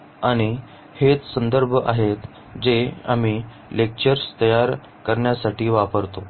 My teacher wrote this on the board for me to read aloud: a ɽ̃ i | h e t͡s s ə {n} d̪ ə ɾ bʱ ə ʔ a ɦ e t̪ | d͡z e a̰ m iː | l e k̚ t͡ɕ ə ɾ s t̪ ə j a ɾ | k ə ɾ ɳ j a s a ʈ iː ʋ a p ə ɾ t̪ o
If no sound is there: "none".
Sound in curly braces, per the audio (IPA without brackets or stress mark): n